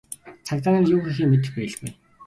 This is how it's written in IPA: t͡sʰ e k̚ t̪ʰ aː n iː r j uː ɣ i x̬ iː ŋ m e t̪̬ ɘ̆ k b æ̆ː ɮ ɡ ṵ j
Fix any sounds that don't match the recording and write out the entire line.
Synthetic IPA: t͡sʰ a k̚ t̪ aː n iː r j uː x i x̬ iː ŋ m e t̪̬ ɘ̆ x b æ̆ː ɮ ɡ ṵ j